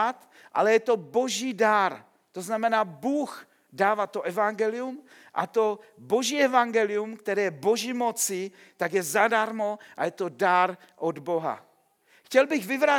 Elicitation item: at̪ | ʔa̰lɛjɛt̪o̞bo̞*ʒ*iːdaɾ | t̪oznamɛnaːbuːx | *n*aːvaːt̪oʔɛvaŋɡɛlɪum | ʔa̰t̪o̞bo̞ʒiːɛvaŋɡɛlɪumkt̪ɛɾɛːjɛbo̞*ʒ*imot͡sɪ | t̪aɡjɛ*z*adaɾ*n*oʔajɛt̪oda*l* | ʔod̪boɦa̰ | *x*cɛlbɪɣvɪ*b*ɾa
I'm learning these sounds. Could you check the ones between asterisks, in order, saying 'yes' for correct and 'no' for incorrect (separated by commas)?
yes, no, yes, yes, no, no, yes, no